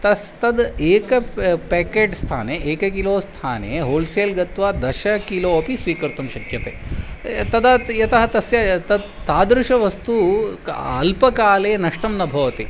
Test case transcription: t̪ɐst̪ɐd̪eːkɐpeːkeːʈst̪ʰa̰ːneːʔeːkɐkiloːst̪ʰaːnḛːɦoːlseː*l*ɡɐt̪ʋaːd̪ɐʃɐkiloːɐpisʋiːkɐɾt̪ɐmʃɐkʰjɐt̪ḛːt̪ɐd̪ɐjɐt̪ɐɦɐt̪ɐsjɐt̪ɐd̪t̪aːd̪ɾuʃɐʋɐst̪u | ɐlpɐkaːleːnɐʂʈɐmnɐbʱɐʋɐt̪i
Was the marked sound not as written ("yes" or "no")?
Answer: no